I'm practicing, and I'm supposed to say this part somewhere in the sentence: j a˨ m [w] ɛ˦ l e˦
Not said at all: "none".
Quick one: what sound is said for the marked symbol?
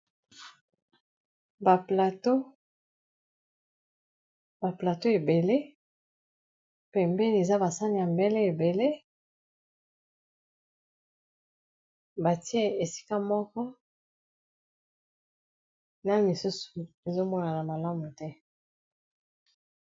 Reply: b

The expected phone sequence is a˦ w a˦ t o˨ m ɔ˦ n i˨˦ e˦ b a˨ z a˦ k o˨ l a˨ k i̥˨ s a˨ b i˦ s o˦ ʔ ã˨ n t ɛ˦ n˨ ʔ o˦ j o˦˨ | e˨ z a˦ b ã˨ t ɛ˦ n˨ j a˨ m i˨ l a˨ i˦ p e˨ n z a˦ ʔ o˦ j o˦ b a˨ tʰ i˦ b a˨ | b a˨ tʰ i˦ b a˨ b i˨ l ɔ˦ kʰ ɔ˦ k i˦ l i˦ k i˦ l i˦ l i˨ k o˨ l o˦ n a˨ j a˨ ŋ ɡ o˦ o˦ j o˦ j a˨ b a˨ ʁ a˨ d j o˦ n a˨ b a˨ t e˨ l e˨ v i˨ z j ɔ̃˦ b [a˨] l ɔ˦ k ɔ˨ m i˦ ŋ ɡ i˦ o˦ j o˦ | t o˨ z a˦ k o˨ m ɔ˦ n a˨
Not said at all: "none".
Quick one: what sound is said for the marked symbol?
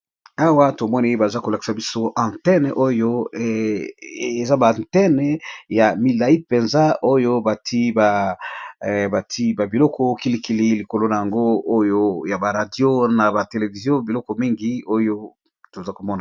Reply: i˨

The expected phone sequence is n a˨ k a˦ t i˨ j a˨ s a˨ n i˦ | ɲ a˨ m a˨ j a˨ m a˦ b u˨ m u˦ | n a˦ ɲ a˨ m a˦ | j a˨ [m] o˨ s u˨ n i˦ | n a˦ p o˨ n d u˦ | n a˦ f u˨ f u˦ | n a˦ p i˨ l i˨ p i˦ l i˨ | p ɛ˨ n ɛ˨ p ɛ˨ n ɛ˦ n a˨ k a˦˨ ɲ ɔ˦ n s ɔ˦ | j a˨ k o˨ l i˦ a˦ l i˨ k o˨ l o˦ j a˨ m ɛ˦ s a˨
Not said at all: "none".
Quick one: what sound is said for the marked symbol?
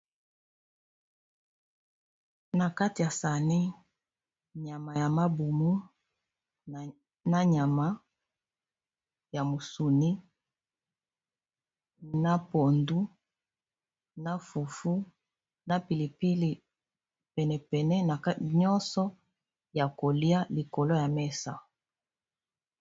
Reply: m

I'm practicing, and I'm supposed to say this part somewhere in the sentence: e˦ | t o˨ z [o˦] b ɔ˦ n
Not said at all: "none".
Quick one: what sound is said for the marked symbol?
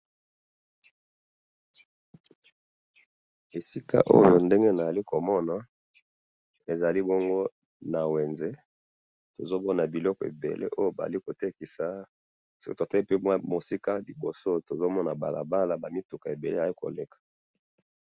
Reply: o˦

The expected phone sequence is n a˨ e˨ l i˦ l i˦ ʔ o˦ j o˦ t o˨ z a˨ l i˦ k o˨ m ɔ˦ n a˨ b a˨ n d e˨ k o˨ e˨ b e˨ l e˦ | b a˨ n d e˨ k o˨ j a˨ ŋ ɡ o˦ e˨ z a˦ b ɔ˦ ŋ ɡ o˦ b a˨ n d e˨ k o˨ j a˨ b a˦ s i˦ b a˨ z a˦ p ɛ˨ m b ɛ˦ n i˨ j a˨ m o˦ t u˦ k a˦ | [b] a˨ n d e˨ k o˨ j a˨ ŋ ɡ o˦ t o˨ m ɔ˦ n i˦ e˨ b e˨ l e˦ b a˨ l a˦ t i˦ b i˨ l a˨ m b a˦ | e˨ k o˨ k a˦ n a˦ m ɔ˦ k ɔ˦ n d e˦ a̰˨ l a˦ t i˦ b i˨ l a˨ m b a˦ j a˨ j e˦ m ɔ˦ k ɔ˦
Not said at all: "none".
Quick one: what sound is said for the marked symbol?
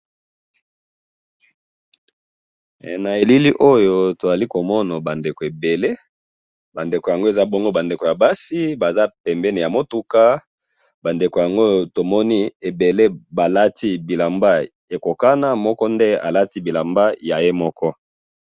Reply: b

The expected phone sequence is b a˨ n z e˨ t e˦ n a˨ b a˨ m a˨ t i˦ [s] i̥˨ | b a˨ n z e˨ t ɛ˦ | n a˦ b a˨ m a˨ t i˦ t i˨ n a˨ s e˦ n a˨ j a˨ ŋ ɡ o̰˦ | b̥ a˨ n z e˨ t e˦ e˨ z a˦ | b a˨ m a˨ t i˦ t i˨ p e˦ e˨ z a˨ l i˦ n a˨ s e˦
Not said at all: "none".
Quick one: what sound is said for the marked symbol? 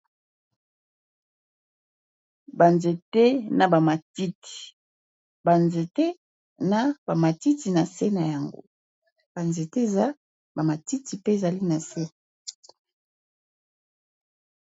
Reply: t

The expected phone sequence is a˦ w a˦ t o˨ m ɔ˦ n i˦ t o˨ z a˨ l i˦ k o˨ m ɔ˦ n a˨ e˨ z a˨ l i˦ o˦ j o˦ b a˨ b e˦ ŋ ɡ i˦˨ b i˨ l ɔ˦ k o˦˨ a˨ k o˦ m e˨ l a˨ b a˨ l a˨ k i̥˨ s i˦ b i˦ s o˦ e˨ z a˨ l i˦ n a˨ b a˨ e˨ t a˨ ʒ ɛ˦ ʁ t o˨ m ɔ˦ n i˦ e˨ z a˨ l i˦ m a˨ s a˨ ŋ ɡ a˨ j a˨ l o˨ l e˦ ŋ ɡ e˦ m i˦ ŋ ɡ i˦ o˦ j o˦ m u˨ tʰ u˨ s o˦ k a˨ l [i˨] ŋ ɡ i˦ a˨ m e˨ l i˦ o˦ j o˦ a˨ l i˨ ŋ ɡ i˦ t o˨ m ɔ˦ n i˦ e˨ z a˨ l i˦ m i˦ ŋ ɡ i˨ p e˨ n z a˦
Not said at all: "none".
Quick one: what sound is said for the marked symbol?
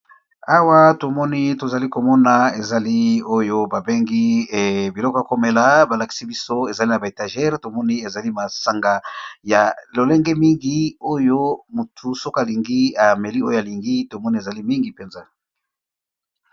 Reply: i˨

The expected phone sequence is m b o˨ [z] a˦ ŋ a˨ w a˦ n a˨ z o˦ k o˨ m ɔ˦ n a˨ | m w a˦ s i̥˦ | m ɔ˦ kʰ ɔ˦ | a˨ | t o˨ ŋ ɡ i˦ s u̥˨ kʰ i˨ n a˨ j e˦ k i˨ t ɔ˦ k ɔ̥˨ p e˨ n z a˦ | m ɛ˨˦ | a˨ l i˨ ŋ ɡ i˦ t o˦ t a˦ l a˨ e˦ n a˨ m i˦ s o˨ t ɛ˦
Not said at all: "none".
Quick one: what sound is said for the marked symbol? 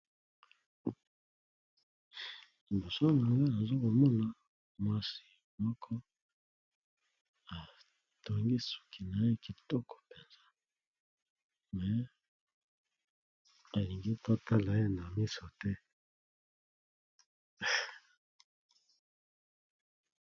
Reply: s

